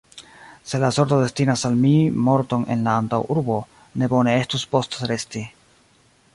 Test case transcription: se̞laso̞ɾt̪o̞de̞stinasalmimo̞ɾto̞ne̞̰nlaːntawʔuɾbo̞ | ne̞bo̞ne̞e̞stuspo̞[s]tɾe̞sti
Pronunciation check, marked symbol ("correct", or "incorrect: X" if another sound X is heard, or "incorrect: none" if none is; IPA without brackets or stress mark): correct